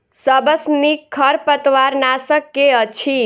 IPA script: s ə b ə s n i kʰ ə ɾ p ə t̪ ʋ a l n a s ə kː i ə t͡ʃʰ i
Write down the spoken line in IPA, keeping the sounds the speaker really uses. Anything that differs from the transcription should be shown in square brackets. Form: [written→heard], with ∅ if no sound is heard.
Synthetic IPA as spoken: s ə b ə s n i kʰ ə ɾ p ə t̪ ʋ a [l→ɾ] n a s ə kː [i→e] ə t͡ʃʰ i